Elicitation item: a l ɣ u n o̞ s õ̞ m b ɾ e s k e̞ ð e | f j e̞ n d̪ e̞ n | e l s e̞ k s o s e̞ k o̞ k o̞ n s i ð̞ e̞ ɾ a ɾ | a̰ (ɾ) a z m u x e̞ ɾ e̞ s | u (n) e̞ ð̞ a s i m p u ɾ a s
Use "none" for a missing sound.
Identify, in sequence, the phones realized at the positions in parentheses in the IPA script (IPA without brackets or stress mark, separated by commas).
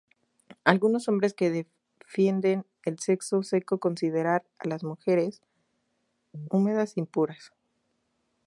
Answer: l, m